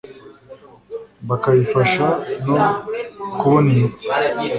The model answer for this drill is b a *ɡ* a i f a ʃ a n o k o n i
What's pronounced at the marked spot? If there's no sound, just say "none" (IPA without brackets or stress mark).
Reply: k